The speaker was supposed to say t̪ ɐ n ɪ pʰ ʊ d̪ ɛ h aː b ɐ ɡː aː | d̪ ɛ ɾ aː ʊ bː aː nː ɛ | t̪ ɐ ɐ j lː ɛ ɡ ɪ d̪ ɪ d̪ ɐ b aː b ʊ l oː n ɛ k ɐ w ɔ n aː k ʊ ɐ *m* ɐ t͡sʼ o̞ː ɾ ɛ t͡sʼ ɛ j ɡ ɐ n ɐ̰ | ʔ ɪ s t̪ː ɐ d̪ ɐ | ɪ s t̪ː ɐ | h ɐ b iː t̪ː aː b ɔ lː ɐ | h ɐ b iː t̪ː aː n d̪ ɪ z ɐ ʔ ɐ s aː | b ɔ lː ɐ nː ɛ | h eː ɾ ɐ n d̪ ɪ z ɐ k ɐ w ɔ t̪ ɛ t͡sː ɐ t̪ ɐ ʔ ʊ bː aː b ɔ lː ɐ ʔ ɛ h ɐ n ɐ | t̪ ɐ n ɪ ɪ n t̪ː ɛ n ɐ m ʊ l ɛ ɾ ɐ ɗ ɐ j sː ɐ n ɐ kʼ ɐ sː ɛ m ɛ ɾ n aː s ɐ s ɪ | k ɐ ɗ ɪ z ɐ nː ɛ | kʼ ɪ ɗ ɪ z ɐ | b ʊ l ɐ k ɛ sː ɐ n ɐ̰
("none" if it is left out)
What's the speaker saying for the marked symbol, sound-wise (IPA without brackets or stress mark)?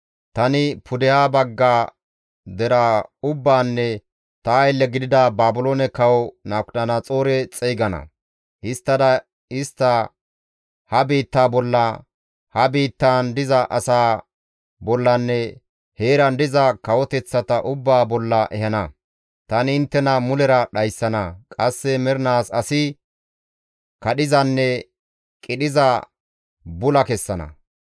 n